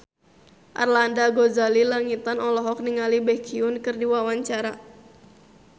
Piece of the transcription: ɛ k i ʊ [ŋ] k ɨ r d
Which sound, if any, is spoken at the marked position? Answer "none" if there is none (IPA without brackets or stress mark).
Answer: n